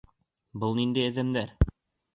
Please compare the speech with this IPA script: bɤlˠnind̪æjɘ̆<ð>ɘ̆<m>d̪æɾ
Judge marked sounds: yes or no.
yes, yes

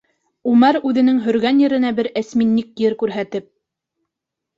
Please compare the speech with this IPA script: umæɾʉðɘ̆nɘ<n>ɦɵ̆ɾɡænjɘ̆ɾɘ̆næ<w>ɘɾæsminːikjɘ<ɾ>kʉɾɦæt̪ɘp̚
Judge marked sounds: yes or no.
no, no, yes

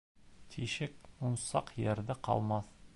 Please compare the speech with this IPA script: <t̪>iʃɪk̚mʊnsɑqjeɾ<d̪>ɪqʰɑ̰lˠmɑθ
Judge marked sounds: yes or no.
no, yes

